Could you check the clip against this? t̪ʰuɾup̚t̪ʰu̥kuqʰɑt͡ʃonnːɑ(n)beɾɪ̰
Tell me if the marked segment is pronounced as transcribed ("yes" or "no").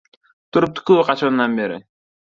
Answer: yes